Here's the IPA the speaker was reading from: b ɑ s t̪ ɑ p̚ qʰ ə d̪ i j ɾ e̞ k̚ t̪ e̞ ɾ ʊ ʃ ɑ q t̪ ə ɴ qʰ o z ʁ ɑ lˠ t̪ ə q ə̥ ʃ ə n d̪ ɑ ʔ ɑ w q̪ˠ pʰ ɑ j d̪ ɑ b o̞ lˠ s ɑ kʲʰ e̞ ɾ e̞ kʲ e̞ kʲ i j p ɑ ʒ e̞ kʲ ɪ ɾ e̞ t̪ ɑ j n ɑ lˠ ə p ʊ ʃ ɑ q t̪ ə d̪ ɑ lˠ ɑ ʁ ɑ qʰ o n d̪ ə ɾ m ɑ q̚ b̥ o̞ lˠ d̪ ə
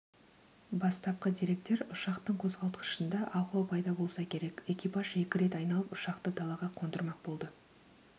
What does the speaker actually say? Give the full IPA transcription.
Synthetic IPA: b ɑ s t̪ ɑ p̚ q ə d̪ i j ɾ e̞ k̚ t̪ e̞ ɾ ʊ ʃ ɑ q t̪ ə ɴ qʰ o z ʁ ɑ lˠ t̪ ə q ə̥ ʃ ə n d̪ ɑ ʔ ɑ w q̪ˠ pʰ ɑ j d̪ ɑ b o̞ lˠ s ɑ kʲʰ e̞ ɾ e̞ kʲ e̞ kʲ i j p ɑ ʒ e̞ kʲ ɪ ɾ e̞ t̪ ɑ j n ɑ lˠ ə p ʊ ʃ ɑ q t̪ ə d̪ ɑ lˠ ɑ ʁ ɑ qʰ o n d̪ ə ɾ m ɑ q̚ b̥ o̞ lˠ d̪ ə